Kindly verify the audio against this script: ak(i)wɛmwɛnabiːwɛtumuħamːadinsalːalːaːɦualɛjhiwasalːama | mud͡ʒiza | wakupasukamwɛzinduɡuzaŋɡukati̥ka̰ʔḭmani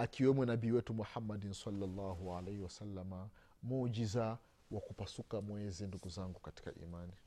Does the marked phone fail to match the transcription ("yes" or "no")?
no